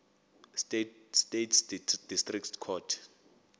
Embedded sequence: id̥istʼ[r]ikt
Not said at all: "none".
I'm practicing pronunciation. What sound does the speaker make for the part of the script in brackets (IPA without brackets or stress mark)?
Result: r